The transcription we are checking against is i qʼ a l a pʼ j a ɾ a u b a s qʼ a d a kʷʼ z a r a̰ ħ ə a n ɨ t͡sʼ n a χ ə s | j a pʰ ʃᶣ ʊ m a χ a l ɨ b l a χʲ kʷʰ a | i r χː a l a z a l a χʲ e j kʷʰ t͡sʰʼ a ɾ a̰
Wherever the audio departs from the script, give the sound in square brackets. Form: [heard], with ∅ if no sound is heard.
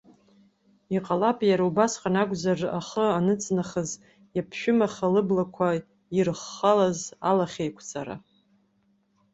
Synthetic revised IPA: i qʼ a l a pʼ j a ɾ a u b a s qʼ a [n] a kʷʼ z a r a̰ [χ] ə a n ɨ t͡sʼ n a χ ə [z] | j a pʰ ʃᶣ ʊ m a χ a l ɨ b l a [∅] kʷʰ a | i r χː a l a z a l a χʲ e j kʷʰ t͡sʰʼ a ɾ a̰